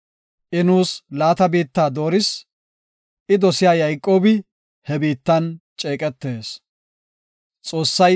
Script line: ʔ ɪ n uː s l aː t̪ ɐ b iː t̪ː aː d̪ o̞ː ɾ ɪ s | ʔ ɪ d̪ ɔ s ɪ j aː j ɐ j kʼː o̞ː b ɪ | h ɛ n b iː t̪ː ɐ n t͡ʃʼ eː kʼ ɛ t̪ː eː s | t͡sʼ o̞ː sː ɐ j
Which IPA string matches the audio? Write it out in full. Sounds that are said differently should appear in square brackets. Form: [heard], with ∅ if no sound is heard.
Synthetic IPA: ʔ ɪ n uː s l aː t̪ ɐ b iː t̪ː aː d̪ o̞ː ɾ ɪ s | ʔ ɪ d̪ ɔ s ɪ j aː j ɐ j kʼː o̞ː b ɪ | h ɛ [∅] b iː t̪ː ɐ n t͡ʃʼ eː kʼ ɛ t̪ː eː s | t͡sʼ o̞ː sː ɐ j

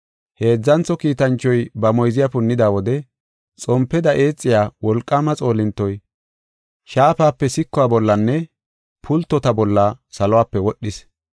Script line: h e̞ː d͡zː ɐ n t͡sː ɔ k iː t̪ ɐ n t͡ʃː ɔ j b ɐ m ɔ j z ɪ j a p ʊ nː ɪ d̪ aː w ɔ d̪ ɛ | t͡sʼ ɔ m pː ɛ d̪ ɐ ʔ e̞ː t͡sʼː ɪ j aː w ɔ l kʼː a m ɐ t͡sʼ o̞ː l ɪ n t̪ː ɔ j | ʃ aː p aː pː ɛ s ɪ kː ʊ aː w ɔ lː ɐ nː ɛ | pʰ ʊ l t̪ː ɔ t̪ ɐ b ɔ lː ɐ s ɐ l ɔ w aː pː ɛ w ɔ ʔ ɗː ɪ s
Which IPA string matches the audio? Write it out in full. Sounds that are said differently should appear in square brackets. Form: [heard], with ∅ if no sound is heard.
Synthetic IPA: h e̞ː d͡zː ɐ n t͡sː ɔ k iː t̪ ɐ n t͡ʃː ɔ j b ɐ m ɔ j z ɪ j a p ʊ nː ɪ d̪ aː w ɔ d̪ ɛ | t͡sʼ ɔ m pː ɛ d̪ ɐ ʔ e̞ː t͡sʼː ɪ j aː w ɔ l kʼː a m ɐ t͡sʼ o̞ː l ɪ n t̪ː ɔ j | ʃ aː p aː pː ɛ s ɪ kː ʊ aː [b] ɔ lː ɐ nː ɛ | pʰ ʊ l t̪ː ɔ t̪ ɐ b ɔ lː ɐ s ɐ l ɔ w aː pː ɛ w ɔ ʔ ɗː ɪ s

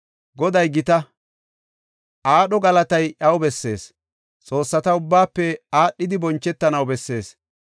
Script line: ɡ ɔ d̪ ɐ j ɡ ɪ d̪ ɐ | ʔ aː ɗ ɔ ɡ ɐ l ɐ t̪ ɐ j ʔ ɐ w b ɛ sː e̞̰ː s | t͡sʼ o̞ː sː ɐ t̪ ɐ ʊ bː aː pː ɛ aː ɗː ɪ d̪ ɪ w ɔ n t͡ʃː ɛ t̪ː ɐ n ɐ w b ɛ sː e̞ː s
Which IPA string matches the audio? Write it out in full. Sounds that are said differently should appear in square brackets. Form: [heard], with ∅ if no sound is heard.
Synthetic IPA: ɡ ɔ d̪ ɐ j ɡ ɪ [t̪] ɐ | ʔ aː ɗ ɔ ɡ ɐ l ɐ t̪ ɐ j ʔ ɐ w b ɛ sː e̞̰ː s | t͡sʼ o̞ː sː ɐ t̪ ɐ ʊ bː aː pː ɛ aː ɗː ɪ d̪ ɪ [b] ɔ n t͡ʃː ɛ t̪ː ɐ n ɐ w b ɛ sː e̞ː s

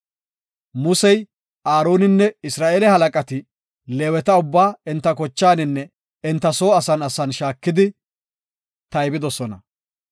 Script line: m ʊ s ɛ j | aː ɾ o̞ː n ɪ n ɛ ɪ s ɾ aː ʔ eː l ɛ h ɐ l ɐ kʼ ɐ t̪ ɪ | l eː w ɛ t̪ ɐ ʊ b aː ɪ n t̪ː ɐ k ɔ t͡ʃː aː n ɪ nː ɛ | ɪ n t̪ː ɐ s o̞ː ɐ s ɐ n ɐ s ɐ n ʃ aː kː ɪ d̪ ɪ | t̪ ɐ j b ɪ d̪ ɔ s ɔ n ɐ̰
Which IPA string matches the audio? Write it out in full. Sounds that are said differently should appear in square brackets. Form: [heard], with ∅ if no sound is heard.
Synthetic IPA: m ʊ s ɛ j | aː ɾ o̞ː n ɪ [nː] ɛ ɪ s ɾ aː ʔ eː l ɛ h ɐ l ɐ kʼ ɐ t̪ ɪ | l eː w ɛ t̪ ɐ ʊ [bː] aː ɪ n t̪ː ɐ k ɔ t͡ʃː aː n ɪ nː ɛ | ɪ n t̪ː ɐ s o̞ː ɐ s ɐ n ɐ s ɐ n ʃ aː kː ɪ d̪ ɪ | t̪ ɐ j b ɪ d̪ ɔ s ɔ n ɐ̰

